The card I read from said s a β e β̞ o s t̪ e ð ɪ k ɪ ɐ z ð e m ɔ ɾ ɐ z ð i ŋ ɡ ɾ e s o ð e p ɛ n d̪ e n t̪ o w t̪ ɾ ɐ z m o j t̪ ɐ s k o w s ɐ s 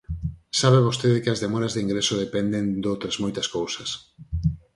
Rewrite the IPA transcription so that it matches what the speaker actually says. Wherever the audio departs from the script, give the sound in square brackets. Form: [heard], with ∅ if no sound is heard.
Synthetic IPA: s a β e β̞ o s t̪ e ð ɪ k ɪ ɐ z ð e m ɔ ɾ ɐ z ð i ŋ ɡ ɾ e s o ð e p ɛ n d̪ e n [d̪] o w t̪ ɾ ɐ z m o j t̪ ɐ s k o w s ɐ s